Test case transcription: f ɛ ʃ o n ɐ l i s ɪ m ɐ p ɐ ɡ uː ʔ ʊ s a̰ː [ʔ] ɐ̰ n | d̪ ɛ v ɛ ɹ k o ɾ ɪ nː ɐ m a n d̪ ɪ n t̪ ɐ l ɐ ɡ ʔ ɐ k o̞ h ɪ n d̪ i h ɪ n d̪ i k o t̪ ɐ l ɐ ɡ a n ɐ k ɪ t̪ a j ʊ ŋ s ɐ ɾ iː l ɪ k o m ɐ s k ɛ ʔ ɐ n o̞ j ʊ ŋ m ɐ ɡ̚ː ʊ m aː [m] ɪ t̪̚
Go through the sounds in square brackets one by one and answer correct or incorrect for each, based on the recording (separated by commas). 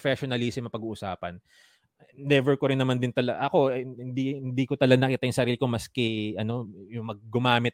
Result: incorrect, correct